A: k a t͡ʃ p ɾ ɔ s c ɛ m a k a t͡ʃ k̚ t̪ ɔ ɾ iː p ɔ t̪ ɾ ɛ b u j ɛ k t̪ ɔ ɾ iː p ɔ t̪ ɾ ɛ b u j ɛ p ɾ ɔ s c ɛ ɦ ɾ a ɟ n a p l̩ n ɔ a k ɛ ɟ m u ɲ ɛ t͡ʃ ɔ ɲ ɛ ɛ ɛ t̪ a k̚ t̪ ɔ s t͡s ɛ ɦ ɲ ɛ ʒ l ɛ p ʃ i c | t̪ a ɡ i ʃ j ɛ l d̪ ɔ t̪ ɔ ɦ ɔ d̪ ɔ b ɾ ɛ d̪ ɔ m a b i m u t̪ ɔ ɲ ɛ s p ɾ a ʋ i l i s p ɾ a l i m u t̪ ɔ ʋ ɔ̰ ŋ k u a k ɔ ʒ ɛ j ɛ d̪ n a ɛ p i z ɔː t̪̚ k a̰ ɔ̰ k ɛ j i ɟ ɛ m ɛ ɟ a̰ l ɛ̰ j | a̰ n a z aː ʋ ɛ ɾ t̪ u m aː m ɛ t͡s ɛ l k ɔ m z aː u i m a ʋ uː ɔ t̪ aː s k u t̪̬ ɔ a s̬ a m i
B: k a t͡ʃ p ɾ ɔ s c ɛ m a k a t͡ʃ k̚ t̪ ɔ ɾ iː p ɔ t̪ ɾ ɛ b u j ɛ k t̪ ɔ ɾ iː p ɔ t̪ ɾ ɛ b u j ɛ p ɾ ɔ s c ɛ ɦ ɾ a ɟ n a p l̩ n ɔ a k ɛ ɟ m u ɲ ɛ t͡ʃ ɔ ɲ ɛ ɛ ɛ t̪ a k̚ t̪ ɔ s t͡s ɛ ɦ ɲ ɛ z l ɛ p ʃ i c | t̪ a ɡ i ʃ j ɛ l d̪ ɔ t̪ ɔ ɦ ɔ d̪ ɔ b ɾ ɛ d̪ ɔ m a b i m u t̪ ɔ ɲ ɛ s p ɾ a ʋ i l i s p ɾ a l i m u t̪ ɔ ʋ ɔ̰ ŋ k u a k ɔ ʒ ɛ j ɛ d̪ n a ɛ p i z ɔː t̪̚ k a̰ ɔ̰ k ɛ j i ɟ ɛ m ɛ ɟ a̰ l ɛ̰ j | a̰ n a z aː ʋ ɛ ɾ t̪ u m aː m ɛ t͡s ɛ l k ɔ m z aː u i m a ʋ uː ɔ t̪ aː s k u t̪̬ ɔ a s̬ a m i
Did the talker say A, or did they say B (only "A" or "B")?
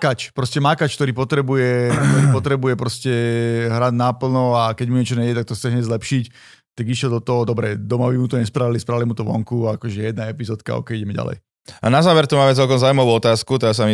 B